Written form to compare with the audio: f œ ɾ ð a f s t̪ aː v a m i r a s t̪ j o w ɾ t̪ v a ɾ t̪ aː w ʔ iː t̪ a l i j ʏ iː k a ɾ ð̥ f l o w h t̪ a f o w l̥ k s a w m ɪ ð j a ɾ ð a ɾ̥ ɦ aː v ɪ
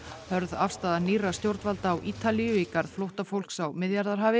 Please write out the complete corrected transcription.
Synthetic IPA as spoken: h œ ɾ ð a f s t̪ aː ð a n i r a s t̪ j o w ɾ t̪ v a l t̪ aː w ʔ iː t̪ a l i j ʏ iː k a ɾ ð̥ f l o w h t̪ a f o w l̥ k s a w m ɪ ð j a ɾ ð a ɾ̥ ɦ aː v ɪ